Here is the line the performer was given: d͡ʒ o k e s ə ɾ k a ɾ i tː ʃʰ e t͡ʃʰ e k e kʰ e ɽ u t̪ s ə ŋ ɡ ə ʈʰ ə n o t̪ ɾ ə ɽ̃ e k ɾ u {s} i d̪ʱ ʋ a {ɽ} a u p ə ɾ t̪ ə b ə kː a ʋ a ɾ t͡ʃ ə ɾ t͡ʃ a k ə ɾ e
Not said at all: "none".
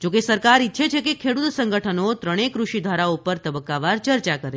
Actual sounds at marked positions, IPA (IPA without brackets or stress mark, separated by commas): ʃ, ɾ